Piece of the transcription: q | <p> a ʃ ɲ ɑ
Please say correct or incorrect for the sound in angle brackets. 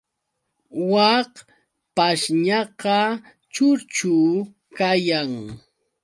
correct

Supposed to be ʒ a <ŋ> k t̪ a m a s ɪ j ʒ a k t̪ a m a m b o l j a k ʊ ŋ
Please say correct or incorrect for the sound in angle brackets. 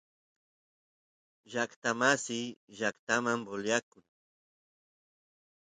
incorrect: none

